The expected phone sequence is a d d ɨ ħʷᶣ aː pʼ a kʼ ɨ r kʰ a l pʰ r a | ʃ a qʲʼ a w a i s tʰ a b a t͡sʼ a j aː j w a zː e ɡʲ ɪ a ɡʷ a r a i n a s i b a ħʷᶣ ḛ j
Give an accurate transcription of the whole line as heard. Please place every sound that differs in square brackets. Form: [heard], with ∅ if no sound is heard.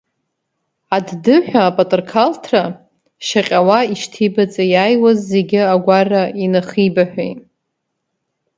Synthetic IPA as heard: a d d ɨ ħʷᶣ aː pʼ a [tʼ] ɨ r kʰ a l [tʰ] r a | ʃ a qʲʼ a w a i [ʃ] tʰ [i] b a t͡sʼ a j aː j w a zː e ɡʲ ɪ a ɡʷ a r a i n a [χ] i b a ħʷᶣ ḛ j

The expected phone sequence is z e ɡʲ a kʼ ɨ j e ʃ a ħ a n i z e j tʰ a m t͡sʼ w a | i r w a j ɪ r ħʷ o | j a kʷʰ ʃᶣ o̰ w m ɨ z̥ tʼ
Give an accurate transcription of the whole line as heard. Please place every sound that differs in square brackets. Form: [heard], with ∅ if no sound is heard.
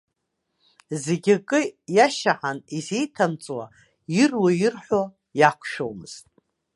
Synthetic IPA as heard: z e ɡʲ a kʼ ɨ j [a] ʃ a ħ a n i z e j tʰ a m t͡sʼ w a | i r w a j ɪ r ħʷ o | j a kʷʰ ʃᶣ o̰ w m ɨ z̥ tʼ

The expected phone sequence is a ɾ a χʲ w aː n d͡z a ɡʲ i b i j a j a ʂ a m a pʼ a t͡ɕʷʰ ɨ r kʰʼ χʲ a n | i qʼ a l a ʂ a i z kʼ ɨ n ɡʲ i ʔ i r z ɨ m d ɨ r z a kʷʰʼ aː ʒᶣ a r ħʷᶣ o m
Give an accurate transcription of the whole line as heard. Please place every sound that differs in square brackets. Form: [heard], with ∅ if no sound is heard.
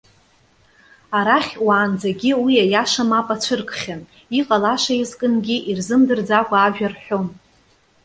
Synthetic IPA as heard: a ɾ a χʲ w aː n d͡z a ɡʲ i [w] i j a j a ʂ a m a pʼ a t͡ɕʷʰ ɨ r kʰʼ χʲ a n | i qʼ a l a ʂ a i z kʼ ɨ n ɡʲ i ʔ i r z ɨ m d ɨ r [d͡z] a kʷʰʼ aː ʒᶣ a r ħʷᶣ o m

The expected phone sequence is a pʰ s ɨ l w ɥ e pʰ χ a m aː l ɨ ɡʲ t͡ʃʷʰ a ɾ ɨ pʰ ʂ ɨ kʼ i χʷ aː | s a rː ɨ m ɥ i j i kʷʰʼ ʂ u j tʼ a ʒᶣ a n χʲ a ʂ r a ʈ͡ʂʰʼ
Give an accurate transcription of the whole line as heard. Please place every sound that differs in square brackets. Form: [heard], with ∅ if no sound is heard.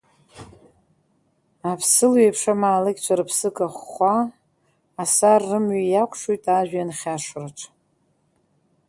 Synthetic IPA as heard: a pʰ s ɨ l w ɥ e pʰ [ʂ] a m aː l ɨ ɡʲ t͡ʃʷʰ a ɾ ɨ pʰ [s] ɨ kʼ [a] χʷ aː | s a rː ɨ m ɥ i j [a] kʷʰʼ ʂ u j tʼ a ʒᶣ a n χʲ a ʂ r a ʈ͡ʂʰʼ

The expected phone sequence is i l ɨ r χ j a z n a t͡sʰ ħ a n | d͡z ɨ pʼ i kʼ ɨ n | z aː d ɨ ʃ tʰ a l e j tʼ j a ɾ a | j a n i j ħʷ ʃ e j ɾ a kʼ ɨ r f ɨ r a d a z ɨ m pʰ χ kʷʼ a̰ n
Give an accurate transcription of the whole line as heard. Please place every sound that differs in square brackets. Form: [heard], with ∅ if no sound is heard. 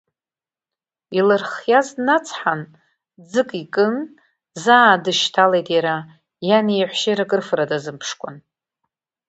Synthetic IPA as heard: i l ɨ r χ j a z n a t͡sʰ ħ a n | d͡z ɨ [kʼ] i kʼ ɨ n | z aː d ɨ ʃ tʰ a l e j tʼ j a ɾ a | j a n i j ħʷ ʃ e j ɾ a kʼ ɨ r f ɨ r a d a z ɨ m pʰ [ʂ] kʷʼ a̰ n

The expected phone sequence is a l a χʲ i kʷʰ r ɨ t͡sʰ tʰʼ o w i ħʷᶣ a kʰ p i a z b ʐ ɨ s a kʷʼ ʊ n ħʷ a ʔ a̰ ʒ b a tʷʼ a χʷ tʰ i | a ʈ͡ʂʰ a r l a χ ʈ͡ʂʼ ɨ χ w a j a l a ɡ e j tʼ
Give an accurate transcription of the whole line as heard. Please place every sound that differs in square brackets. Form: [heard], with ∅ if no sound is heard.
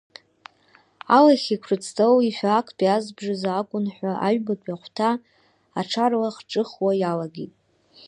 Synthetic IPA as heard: a l a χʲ i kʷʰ r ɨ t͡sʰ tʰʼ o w i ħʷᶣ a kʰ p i a z b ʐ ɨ [z] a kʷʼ ʊ n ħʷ a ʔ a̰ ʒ b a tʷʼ a χʷ tʰ [a] | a ʈ͡ʂʰ a r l a χ ʈ͡ʂʼ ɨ χ w a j a l a ɡ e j tʼ

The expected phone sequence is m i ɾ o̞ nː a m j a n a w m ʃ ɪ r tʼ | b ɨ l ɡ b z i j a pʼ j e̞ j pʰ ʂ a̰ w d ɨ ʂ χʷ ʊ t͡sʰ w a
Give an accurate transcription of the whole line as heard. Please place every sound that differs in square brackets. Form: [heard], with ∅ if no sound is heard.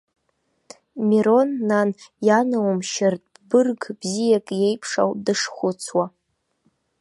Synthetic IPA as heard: m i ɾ o̞ nː a [n] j a n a w m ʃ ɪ r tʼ | b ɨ [r] ɡ b z i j a [kʼ] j e̞ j pʰ ʂ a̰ w d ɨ ʂ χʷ ʊ t͡sʰ w a

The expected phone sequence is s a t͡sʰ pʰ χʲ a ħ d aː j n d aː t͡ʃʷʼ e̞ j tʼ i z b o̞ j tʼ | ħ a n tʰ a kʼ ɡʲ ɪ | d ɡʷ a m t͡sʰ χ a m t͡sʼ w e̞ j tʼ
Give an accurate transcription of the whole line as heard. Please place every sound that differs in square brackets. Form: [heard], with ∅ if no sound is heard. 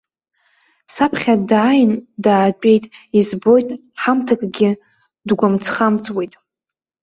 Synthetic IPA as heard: s a [∅] pʰ χʲ a [∅] d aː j n d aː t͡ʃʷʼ e̞ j tʼ i z b o̞ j tʼ | ħ a [m] tʰ a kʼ ɡʲ ɪ | d ɡʷ a m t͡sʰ χ a m t͡sʼ w e̞ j tʼ

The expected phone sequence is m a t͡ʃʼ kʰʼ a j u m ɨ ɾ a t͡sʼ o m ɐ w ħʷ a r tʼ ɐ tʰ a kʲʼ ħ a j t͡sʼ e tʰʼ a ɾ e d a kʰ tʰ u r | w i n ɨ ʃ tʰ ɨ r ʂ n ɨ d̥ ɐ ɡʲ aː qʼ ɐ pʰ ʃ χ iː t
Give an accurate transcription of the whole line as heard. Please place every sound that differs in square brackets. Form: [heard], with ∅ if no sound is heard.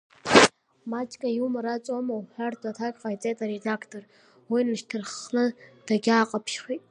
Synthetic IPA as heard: m a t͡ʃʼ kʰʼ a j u m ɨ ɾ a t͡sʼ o m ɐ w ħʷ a r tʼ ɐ tʰ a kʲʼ [f] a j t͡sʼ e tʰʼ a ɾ e d a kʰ tʰ [o] r | w i n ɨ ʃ tʰ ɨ r [χ] n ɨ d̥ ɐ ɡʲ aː qʼ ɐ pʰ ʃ χ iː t

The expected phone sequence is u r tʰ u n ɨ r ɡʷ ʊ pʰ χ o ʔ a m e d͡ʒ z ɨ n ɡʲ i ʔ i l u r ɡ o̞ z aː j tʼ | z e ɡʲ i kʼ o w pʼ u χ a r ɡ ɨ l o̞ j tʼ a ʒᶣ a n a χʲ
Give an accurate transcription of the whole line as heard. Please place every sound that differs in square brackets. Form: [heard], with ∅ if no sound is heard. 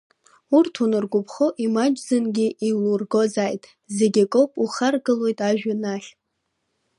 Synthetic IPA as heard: u r tʰ u n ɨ r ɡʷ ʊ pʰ χ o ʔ [i] m [a] d͡ʒ z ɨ n ɡʲ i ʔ i l u r ɡ o̞ z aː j tʼ | z e ɡʲ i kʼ o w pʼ u χ a r ɡ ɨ l o̞ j tʼ a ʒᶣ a n a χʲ

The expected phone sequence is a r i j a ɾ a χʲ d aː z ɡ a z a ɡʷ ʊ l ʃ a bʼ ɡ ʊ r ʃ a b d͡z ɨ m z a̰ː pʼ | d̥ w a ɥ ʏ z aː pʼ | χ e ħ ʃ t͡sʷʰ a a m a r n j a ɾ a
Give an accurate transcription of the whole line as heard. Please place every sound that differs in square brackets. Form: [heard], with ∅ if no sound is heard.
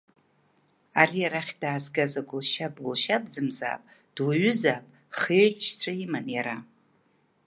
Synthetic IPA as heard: a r i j a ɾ a χʲ d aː z ɡ a z a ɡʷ ʊ l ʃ a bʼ ɡ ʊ [l] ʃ a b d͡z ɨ m z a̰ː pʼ | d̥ w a ɥ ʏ z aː pʼ | χ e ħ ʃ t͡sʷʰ a [i] m a [∅] n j a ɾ a

